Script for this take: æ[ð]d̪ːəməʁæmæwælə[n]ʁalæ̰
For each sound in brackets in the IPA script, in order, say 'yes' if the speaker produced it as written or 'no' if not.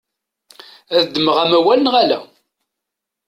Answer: yes, yes

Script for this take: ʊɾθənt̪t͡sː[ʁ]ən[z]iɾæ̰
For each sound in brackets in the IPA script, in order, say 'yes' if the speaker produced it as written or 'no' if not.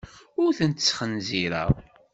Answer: no, yes

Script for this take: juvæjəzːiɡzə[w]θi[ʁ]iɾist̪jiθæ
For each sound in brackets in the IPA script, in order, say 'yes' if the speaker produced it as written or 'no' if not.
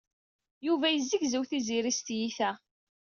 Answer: yes, no

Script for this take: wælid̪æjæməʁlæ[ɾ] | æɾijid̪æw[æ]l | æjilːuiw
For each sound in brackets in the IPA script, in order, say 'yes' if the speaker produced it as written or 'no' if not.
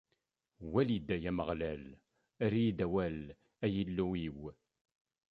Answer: no, yes

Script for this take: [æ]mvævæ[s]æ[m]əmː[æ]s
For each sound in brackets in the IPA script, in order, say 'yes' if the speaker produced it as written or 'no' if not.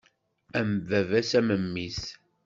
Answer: yes, yes, yes, no

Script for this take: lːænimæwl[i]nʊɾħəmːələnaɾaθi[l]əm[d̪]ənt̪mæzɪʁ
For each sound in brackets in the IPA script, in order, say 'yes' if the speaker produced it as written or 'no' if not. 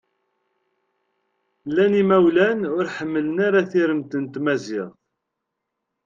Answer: no, no, no

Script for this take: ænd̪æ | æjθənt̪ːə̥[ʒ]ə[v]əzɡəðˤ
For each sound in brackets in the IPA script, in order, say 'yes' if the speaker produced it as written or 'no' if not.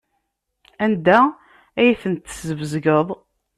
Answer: no, yes

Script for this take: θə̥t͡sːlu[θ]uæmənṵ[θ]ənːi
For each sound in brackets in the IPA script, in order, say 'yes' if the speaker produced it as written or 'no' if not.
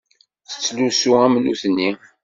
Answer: no, yes

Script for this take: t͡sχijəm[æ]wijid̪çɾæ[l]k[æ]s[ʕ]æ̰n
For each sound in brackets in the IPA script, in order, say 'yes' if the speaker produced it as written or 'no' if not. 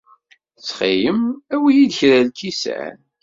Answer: yes, yes, no, yes

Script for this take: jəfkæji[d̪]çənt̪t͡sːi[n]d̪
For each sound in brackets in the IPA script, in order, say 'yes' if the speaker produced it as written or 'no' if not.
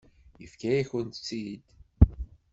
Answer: no, no

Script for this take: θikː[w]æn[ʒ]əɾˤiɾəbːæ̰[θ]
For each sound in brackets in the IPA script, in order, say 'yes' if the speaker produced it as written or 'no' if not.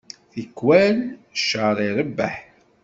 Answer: yes, no, no

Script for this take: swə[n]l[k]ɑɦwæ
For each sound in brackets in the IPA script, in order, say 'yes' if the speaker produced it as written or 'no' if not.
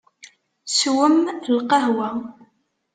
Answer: no, no

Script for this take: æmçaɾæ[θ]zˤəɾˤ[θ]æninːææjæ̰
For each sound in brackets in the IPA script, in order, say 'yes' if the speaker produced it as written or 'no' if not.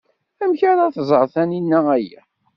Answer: yes, yes

